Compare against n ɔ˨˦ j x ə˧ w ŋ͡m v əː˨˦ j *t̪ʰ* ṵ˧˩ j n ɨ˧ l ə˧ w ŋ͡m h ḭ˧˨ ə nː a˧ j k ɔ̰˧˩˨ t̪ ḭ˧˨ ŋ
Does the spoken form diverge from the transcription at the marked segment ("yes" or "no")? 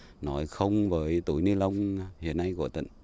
yes